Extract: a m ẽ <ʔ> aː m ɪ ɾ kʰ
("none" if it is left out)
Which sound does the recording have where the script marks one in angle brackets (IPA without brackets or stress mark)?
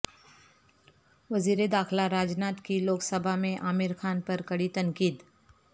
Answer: ʔ